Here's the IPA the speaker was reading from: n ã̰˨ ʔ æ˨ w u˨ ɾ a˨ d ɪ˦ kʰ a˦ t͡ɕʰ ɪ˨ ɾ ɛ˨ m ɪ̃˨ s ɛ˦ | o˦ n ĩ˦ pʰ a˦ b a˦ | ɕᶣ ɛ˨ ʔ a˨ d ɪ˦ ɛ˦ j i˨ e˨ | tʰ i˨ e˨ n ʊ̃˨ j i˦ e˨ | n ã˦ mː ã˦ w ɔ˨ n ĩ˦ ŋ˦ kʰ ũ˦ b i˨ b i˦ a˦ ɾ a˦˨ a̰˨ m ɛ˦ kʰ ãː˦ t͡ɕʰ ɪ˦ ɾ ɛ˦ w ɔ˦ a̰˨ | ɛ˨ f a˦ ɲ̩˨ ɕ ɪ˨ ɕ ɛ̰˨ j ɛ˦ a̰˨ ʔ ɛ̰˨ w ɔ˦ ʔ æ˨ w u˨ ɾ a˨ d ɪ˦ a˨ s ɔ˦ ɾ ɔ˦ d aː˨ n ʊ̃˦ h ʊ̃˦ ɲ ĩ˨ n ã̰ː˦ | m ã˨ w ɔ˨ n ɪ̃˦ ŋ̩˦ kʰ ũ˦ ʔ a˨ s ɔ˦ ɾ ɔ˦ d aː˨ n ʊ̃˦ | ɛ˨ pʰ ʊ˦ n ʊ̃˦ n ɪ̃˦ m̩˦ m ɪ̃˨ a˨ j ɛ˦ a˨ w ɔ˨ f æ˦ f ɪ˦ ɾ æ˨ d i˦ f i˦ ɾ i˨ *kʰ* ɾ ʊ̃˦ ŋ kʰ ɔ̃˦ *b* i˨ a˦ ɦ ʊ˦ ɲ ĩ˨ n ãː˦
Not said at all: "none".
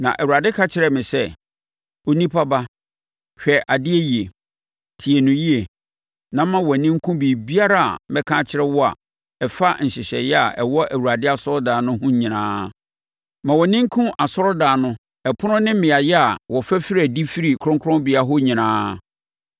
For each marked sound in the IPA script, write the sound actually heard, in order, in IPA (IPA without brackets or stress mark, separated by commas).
kʰ, b